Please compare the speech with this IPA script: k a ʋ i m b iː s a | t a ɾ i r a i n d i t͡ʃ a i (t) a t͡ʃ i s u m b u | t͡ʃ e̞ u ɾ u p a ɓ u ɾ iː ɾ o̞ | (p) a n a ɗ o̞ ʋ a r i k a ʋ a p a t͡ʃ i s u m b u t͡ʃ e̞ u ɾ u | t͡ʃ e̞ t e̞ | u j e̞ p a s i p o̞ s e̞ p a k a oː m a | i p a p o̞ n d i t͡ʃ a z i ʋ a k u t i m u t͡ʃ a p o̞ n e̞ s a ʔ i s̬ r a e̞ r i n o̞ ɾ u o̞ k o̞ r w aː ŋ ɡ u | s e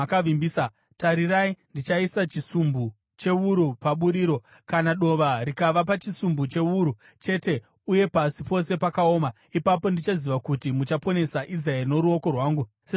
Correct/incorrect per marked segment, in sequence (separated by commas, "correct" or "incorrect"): incorrect, incorrect